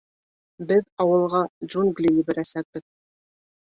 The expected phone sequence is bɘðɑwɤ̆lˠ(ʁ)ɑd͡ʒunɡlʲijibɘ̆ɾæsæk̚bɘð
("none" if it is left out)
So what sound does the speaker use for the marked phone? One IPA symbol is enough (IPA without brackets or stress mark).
ʁ